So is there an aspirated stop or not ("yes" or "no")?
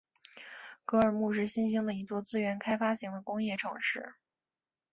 yes